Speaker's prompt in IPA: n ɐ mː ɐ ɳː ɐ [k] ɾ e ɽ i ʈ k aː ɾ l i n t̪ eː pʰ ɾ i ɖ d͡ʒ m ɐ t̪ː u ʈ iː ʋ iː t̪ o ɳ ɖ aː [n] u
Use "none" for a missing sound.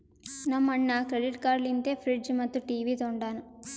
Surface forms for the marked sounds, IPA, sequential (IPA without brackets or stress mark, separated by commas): k, n